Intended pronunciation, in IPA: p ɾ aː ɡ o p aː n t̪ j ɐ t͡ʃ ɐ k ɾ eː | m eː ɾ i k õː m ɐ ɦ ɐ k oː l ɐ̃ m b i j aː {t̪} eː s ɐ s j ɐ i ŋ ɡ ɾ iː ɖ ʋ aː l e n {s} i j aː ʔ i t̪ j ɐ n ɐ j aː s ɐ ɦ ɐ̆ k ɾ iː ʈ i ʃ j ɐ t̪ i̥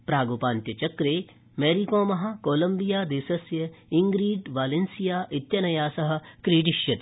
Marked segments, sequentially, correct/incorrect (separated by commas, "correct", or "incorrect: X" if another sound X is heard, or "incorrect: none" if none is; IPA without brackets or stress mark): incorrect: d̪, correct